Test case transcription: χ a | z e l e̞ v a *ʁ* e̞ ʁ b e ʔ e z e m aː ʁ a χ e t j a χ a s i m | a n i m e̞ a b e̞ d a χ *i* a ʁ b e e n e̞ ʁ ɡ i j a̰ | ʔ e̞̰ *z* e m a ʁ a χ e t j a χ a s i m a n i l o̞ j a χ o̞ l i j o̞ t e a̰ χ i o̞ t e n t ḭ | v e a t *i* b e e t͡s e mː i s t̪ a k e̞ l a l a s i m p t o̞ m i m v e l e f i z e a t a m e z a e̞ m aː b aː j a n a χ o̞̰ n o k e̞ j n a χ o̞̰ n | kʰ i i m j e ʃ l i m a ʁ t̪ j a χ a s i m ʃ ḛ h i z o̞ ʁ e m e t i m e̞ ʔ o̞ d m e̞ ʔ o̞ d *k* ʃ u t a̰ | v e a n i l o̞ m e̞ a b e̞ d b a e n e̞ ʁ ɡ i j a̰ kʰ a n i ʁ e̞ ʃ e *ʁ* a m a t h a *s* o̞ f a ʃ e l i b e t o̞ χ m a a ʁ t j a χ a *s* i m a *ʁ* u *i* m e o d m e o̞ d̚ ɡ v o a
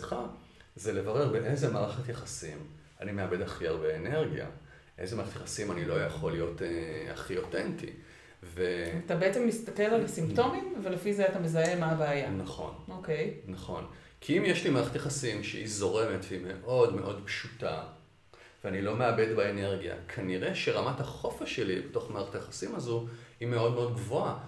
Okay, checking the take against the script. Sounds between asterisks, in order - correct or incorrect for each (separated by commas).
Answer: correct, correct, correct, incorrect, incorrect, correct, incorrect, correct, incorrect, correct